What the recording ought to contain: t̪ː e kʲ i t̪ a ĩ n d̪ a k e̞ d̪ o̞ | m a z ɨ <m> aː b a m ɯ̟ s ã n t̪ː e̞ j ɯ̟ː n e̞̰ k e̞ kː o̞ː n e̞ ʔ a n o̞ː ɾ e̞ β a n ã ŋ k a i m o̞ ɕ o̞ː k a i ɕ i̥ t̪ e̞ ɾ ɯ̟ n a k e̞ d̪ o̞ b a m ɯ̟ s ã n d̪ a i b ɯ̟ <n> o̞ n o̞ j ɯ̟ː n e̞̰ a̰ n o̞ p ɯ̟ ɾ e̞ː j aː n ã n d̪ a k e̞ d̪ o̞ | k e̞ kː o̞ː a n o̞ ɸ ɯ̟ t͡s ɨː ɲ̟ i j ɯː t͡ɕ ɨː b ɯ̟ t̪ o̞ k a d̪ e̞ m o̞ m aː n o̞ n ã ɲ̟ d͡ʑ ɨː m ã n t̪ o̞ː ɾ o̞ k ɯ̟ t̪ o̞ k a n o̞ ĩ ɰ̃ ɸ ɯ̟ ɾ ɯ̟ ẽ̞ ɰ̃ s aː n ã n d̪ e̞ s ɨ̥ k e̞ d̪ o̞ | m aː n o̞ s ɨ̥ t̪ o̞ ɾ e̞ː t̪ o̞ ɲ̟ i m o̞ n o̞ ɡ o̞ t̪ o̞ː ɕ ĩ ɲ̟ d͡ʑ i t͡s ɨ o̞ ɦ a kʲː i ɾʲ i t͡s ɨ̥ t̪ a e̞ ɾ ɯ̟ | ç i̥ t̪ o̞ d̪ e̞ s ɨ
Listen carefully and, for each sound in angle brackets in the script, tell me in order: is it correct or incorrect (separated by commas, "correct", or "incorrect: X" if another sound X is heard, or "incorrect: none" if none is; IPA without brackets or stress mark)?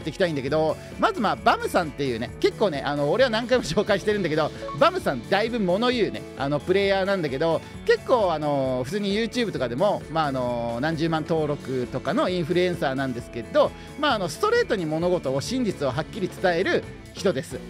correct, incorrect: m